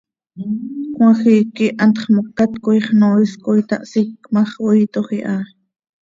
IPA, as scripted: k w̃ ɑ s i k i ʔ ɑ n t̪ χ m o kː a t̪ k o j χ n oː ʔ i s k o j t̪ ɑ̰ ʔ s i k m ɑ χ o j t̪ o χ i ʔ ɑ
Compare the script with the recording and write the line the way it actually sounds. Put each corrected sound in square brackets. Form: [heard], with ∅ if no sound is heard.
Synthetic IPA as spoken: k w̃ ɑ [x] i k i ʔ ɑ n t̪ χ m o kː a t̪ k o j χ n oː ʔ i s k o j t̪ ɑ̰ ʔ s i k m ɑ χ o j t̪ o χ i ʔ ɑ